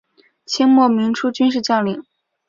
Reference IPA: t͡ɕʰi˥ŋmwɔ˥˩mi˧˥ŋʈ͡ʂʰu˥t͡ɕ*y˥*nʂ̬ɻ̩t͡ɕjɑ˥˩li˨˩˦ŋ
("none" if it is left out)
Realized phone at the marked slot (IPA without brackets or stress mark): y˥